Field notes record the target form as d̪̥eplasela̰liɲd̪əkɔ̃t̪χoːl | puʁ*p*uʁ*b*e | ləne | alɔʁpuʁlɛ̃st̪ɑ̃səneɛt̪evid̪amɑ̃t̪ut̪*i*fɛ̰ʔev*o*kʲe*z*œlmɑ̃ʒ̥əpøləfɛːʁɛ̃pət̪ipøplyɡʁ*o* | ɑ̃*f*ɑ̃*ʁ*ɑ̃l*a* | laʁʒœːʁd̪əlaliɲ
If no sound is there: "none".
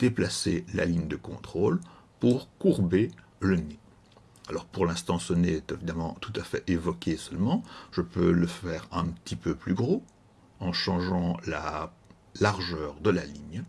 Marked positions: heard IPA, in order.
k, b, a, ɔ, s, o, ʃ, ʒ, a

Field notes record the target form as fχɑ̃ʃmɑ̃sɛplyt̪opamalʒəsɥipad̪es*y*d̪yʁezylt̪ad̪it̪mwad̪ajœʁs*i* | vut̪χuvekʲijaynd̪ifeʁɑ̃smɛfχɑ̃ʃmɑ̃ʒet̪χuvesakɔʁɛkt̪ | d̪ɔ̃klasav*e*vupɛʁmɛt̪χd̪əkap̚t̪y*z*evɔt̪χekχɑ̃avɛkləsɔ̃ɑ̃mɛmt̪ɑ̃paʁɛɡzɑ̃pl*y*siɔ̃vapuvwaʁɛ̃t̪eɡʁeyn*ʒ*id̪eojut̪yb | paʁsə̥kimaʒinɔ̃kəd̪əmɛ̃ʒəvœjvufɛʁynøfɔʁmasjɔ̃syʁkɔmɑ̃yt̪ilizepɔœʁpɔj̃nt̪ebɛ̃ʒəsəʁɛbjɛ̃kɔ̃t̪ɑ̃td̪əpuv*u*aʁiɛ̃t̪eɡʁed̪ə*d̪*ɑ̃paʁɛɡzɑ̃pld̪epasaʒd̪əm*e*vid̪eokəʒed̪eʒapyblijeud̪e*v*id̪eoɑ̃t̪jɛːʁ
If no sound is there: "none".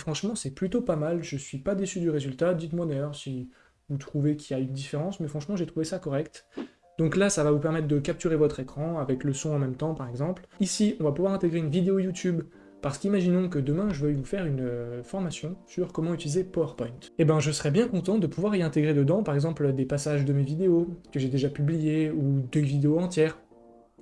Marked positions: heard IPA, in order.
y, i, a, ʁ, i, v, w, d̪, e, v

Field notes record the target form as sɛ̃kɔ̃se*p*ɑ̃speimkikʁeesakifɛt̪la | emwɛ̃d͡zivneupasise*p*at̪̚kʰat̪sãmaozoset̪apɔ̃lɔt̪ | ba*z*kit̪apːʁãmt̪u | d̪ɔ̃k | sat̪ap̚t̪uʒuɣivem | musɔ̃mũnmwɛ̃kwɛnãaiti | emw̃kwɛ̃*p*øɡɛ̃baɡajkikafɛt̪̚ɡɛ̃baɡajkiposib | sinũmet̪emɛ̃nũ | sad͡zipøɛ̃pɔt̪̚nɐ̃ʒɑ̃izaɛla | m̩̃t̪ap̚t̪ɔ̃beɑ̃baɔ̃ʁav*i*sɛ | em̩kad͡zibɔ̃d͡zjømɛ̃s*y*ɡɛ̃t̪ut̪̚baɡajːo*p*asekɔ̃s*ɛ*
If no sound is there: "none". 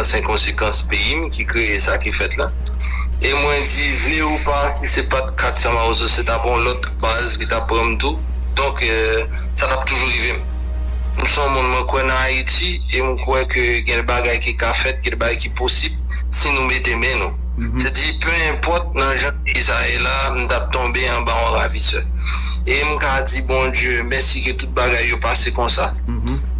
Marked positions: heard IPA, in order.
k, p, z, k, i, i, p, a

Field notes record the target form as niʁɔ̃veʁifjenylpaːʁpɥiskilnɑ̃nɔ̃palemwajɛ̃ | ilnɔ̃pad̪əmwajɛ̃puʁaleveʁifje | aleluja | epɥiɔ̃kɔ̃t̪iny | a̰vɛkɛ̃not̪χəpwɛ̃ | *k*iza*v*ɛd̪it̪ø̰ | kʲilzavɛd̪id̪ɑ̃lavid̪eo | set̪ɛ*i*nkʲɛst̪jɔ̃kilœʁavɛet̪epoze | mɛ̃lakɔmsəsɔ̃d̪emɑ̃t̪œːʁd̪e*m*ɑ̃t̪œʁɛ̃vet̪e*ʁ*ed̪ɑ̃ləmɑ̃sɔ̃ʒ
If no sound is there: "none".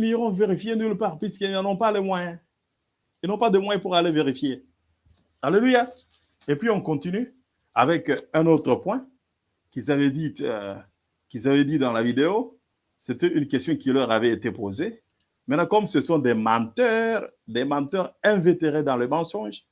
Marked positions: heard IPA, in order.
k, v, y, m, ʁ

